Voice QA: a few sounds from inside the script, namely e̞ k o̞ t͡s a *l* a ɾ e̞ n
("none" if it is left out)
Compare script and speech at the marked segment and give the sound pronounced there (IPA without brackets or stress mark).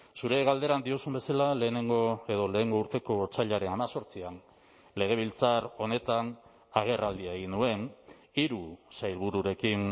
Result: ʎ